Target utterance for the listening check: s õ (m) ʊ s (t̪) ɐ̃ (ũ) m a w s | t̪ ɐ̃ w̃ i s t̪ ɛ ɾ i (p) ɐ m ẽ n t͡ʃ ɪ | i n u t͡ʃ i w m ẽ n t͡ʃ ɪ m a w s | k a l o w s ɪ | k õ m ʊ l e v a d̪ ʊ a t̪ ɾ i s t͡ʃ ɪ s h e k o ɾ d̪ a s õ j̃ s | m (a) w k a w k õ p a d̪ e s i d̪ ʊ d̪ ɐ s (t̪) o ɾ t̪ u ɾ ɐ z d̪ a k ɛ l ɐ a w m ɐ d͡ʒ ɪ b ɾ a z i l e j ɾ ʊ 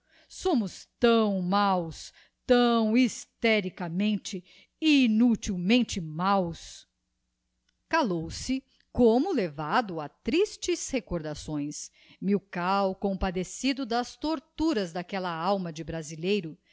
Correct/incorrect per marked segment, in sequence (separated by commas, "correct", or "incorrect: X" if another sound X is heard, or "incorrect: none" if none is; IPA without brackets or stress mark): correct, correct, incorrect: w̃, incorrect: k, incorrect: i, correct